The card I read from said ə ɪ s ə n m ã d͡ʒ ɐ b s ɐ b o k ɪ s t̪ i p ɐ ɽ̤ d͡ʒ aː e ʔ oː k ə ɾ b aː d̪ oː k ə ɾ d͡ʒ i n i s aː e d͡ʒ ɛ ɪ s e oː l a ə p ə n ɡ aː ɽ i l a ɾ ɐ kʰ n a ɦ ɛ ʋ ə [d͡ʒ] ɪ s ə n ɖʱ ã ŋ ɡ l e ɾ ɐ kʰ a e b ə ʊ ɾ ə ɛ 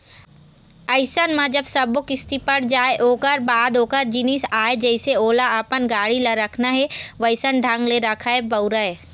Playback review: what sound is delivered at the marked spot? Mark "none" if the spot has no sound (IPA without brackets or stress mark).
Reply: none